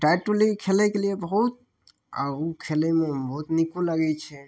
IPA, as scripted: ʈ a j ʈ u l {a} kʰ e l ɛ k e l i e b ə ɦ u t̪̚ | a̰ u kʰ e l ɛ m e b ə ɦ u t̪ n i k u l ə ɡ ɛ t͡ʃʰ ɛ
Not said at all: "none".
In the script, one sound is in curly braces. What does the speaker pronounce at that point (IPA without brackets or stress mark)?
i